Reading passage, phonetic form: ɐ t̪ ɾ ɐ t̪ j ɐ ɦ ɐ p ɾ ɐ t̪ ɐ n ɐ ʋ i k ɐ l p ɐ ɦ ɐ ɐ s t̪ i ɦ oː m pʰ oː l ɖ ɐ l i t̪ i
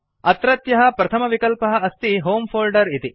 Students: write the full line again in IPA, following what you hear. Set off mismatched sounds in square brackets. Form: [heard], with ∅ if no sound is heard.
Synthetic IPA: ɐ t̪ ɾ ɐ t̪ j ɐ ɦ ɐ p ɾ ɐ [t̪ʰ] ɐ [m] ɐ ʋ i k ɐ l p ɐ ɦ ɐ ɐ s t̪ i ɦ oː m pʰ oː l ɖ ɐ [ɾ] i t̪ i